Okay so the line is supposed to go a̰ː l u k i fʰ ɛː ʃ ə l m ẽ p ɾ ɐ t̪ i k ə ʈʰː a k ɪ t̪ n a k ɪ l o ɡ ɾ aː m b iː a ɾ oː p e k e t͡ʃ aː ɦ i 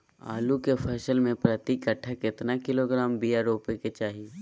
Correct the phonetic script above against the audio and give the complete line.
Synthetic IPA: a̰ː l u k e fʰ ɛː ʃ ə l m ẽ p ɾ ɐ t̪ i k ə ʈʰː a k ɪ t̪ n a k ɪ l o ɡ ɾ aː m b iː a ɾ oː p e k e t͡ʃ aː ɦ i

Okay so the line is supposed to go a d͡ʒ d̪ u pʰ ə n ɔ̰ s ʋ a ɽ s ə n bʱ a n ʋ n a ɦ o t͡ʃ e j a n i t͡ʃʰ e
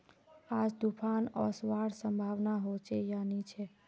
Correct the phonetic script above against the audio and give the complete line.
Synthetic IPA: a d͡ʒ d̪ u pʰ a n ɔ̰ s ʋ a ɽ s ə m bʱ a ʋ n a ɦ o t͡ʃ e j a n i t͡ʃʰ e

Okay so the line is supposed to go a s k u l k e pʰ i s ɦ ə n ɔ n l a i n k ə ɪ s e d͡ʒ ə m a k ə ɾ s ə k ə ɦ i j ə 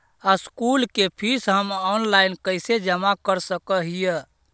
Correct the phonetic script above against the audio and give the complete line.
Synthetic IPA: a s k u l k e pʰ i s ɦ ə m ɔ n l a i n k ə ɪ s e d͡ʒ ə m a k ə ɾ s ə k ə ɦ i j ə

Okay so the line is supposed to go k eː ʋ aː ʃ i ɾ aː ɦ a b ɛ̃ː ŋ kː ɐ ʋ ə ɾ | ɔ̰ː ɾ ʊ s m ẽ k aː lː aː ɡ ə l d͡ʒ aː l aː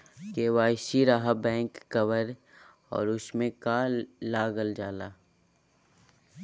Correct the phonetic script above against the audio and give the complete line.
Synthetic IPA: k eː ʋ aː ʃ i ɾ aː ɦ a b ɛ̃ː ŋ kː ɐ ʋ ə ɾ | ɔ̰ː ɾ ʊ s m ẽ k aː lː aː ɡ ə l d͡ʒ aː l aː

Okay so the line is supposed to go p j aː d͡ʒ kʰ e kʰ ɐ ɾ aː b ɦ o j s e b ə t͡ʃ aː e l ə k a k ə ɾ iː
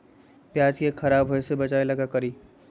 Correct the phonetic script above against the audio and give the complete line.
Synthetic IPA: p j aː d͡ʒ k e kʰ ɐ ɾ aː b ɦ o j s e b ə t͡ʃ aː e l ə ɡ a k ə ɾ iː

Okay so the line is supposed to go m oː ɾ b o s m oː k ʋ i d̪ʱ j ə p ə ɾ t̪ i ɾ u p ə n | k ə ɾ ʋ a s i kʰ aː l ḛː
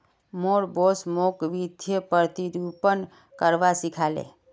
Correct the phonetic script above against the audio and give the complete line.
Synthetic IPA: m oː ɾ b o s m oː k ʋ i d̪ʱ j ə p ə ɾ t̪ i ɾ u p ə n | k ə ɾ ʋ a s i kʰ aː l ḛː

